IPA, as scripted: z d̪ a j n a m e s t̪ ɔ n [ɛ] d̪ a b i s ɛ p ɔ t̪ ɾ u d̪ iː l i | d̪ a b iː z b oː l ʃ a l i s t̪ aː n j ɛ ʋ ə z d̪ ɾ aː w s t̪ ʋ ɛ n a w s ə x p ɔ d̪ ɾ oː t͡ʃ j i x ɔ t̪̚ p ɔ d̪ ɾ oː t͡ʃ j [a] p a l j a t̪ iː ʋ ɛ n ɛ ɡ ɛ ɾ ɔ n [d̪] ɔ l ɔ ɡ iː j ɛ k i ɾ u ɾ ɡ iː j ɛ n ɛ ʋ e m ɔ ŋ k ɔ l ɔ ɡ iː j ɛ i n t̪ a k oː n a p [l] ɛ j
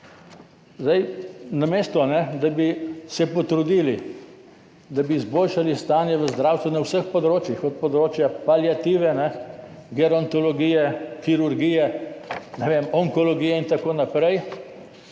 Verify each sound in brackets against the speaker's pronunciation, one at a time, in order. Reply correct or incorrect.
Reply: correct, correct, incorrect: t̪, incorrect: ɾ

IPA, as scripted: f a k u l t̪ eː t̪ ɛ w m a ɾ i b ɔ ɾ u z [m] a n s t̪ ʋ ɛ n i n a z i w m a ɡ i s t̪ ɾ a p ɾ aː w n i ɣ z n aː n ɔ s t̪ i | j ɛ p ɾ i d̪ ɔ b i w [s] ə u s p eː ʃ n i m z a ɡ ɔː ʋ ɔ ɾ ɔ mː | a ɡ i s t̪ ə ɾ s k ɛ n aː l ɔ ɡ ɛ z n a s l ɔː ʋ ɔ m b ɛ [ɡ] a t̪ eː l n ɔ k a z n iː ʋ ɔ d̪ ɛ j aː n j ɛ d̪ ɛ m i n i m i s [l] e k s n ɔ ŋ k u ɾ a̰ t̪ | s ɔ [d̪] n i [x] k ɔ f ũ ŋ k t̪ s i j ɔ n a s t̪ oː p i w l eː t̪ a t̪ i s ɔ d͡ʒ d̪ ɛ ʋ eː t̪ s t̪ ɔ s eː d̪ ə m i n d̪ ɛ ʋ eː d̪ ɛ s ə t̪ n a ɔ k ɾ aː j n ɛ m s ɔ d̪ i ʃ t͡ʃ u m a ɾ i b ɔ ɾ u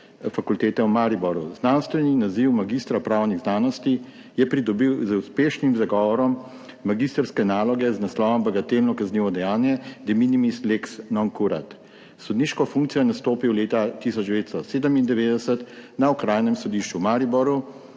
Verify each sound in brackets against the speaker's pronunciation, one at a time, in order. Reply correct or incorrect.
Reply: incorrect: n, incorrect: z, correct, correct, correct, incorrect: ʃ

